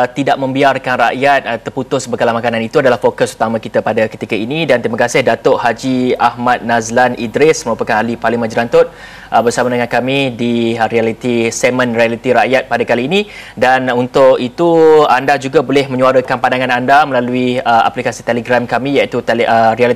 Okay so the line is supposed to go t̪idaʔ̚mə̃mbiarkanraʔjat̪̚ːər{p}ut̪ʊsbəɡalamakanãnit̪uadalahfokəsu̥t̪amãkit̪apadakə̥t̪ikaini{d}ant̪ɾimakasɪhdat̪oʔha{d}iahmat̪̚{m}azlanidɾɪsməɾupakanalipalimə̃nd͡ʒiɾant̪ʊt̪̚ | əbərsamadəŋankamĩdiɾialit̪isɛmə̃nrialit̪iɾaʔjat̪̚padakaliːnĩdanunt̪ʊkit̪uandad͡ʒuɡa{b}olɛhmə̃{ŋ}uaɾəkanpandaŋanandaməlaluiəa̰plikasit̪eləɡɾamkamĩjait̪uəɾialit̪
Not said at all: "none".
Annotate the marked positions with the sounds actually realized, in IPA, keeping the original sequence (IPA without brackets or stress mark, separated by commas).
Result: p, d, d͡ʒ, n, b, ɲ